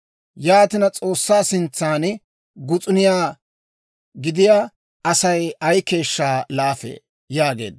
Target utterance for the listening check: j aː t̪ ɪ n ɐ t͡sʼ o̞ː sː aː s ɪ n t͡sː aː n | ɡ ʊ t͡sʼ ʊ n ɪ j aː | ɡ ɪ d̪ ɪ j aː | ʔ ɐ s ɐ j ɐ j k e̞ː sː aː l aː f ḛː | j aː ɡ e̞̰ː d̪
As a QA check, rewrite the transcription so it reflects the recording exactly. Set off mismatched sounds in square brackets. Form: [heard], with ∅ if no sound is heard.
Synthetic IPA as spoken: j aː t̪ ɪ n ɐ t͡sʼ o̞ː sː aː s ɪ n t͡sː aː n | ɡ ʊ t͡sʼ ʊ n ɪ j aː | ɡ ɪ d̪ ɪ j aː | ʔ ɐ s ɐ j ɐ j k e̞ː [ʃː] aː l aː f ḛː | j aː ɡ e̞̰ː d̪